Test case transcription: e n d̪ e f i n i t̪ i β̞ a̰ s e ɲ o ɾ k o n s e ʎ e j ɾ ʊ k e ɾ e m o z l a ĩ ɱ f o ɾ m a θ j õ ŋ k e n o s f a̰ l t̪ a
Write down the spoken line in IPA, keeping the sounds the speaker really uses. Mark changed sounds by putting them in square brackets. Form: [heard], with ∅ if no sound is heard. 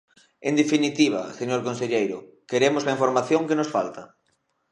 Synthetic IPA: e n d̪ e f i n i t̪ i β̞ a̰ s e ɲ o ɾ k o n s e ʎ e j ɾ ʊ k e ɾ e m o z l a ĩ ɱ f o ɾ m a θ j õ ŋ k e n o s f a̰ l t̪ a